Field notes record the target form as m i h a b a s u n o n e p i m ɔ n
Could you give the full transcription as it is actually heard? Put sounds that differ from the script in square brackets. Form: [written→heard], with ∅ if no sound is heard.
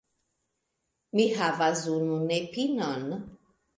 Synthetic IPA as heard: m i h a [b→v] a [s→z] u n [o→u] n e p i [m→n] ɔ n